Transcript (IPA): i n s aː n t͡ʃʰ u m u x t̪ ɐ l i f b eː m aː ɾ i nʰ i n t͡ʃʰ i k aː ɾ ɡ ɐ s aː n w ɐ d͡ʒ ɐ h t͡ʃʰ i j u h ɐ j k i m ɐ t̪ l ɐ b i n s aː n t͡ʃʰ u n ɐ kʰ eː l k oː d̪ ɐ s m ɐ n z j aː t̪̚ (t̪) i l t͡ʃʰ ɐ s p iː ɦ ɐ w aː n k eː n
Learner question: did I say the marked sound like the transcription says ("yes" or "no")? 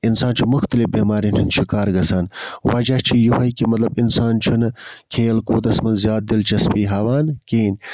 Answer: no